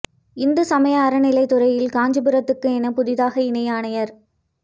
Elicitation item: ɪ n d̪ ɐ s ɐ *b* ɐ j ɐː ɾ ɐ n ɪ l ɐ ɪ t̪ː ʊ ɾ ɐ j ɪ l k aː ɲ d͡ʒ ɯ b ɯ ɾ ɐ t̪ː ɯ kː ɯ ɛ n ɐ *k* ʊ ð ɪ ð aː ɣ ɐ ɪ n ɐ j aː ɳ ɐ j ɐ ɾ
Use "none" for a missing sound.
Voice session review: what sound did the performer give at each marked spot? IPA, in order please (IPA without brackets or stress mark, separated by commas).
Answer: m, p